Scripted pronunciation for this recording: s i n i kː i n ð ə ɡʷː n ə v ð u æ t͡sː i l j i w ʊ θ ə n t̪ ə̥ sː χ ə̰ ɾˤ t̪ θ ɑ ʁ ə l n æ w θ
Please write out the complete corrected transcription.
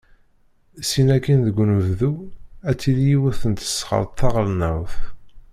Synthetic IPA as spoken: s i n æ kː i n ð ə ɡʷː n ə v ð u æ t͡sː i l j i w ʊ θ ə n t̪ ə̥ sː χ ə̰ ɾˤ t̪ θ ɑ ʁ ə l n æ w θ